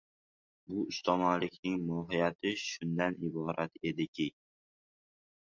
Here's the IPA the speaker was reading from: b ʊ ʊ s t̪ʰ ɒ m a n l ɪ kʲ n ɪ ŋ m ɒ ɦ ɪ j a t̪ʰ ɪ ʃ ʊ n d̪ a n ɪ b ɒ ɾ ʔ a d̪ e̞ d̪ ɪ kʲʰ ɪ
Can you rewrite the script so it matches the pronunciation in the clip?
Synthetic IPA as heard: b ʊ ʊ s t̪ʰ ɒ m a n l ɪ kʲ n ɪ ŋ m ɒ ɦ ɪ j a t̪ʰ ɪ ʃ ʊ n d̪ a n ɪ b ɒ ɾ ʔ a t̪ e̞ d̪ ɪ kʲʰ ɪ